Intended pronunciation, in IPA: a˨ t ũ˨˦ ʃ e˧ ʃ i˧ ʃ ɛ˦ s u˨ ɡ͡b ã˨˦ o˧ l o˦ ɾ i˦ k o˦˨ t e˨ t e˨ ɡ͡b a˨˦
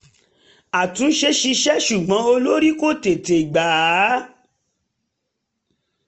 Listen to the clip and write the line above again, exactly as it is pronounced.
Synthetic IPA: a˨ t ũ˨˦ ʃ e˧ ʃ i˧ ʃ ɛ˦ ʃ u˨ ɡ͡b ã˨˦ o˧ l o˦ ɾ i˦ k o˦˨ t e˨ t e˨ ɡ͡b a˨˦